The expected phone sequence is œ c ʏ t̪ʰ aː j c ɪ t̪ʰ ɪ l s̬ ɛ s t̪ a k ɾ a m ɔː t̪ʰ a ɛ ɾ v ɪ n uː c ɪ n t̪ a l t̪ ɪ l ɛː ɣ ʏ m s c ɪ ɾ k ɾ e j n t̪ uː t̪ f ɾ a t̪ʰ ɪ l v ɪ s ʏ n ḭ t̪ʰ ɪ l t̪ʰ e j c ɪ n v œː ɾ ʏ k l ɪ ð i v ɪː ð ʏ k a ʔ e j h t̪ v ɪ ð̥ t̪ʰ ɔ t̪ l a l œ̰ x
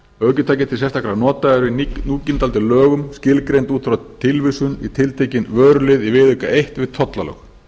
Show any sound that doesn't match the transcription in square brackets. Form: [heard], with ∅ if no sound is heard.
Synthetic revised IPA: œ c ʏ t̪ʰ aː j c ɪ t̪ʰ ɪ l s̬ ɛ s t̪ a k ɾ a [n] ɔː [t̪] a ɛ ɾ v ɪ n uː c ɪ n t̪ a l t̪ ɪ l [œː] ɣ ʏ m s c ɪ [l] k ɾ e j n t̪ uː t̪ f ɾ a t̪ʰ ɪ l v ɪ s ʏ n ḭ t̪ʰ ɪ l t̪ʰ e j c ɪ n v œː ɾ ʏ [∅] l ɪ ð i v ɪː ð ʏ k a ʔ e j h t̪ v ɪ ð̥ t̪ʰ ɔ t̪ l a l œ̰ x